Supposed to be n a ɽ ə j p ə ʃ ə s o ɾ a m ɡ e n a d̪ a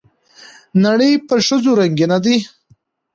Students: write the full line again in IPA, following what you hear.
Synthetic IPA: n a ɽ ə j p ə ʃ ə z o ɾ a ŋ ɡ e n a d̪ i